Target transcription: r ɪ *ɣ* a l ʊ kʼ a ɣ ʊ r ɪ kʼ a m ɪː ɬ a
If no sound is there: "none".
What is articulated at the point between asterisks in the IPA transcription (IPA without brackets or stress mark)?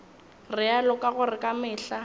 none